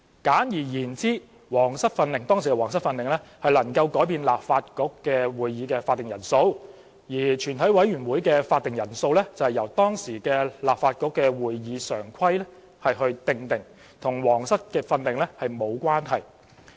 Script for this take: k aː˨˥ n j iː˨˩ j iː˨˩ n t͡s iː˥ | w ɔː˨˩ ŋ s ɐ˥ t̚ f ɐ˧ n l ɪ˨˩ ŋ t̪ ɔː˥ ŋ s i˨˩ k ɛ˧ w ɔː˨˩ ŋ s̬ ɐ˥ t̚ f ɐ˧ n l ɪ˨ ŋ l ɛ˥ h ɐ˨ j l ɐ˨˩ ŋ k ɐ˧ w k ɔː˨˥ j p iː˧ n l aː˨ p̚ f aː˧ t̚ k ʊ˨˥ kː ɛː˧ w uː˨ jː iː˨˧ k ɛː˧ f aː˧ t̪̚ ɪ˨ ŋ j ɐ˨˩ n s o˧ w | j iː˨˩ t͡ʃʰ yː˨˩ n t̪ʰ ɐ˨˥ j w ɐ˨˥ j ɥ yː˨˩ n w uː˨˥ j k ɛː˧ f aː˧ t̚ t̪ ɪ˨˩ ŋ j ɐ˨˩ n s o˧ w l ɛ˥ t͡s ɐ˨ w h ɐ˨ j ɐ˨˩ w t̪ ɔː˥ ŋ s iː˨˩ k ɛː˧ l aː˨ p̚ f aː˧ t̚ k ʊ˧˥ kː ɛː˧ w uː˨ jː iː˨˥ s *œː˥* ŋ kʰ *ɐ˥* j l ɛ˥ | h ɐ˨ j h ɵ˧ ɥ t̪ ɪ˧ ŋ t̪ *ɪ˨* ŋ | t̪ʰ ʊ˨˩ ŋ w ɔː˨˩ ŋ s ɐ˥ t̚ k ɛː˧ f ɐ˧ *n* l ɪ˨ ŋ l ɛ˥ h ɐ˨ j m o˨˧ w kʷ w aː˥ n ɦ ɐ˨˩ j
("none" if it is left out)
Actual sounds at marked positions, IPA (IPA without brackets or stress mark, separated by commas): œː˨˩, ɐ˥, ɪ˨, n